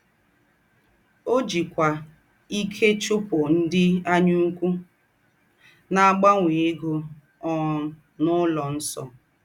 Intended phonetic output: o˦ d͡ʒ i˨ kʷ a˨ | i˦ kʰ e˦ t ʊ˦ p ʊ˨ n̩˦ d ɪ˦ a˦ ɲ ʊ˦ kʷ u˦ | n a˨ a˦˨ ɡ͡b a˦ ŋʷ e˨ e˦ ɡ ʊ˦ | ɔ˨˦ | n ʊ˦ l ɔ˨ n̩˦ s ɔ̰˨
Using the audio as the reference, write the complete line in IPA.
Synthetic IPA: o˦ d͡ʒ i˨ kʷ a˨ | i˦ kʰ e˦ t͡ʃ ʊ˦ p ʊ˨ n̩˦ d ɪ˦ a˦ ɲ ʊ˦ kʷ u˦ | n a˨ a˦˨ ɡ͡b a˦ ŋʷ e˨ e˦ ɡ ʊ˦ | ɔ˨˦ | n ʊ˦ l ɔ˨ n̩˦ s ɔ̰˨